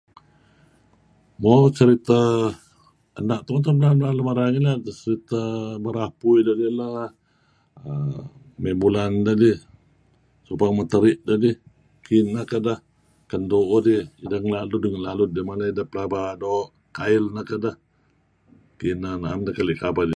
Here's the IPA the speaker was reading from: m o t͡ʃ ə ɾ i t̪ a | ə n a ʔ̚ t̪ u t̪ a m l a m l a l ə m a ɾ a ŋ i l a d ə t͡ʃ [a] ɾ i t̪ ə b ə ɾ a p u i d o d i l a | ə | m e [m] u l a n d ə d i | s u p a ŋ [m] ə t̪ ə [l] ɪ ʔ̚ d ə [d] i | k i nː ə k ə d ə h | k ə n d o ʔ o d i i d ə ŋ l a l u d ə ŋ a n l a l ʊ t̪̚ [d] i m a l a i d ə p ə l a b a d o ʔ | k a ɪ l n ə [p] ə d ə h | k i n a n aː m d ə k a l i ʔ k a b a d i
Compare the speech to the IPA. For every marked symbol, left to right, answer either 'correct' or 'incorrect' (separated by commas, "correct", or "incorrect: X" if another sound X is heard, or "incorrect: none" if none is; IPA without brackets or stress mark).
incorrect: ə, incorrect: b, correct, incorrect: ɾ, correct, correct, incorrect: k